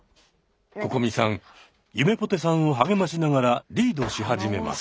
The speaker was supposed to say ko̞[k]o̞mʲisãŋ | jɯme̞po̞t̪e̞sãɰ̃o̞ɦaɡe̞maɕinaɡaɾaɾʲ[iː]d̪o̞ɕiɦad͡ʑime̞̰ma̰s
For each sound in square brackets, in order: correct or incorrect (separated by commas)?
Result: correct, correct